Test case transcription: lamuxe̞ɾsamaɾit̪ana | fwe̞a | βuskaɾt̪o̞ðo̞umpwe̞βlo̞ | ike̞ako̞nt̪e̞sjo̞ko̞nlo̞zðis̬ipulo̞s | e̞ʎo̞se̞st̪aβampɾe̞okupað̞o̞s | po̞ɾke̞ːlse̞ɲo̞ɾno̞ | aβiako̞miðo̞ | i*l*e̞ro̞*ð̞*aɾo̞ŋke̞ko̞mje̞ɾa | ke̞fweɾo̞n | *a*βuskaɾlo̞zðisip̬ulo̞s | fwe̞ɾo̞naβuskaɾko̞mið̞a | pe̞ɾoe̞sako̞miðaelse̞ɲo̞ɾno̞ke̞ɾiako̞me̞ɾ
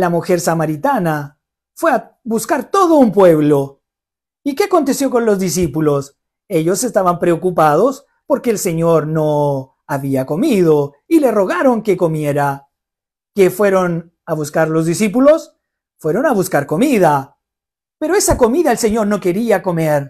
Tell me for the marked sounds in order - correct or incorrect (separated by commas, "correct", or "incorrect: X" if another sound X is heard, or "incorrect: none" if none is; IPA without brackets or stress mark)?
correct, incorrect: ɣ̞, correct